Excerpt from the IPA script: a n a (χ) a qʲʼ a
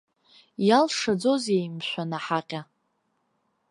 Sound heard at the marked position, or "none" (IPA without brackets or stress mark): ħ